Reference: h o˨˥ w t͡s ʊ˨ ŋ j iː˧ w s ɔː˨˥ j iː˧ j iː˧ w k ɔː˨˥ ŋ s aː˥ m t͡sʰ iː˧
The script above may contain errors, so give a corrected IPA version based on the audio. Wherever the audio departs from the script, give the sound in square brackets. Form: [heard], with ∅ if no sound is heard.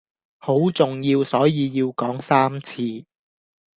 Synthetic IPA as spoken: h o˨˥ w t͡s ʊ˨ ŋ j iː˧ w s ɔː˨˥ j iː˧ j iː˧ w k ɔː˨˥ ŋ s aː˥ m t͡sʰ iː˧